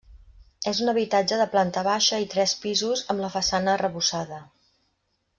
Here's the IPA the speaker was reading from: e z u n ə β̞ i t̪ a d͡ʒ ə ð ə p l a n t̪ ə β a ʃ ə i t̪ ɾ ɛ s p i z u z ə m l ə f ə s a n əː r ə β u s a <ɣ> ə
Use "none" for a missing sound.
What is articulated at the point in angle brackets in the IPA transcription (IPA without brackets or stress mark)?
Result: ð